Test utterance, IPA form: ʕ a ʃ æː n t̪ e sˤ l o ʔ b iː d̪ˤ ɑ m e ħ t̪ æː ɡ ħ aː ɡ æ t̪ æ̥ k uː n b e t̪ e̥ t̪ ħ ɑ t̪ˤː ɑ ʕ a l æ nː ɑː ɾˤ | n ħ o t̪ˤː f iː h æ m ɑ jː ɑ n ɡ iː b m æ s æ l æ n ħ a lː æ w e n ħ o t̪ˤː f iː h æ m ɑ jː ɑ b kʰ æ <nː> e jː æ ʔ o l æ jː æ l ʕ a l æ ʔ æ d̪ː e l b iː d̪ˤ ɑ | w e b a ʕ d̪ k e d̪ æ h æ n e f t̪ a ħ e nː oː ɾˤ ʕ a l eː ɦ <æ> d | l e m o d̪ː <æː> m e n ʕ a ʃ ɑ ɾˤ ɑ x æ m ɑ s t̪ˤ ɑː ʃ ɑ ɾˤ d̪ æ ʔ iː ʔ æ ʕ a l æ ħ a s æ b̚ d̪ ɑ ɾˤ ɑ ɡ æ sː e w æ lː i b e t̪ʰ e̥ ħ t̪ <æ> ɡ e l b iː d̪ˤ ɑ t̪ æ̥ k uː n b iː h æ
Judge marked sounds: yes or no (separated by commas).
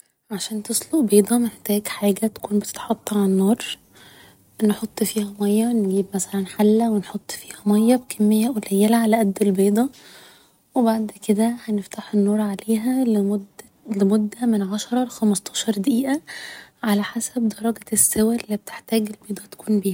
no, yes, no, no